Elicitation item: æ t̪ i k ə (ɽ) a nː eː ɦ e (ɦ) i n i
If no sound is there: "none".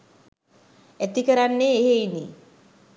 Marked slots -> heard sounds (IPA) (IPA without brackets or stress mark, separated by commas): ɾ, none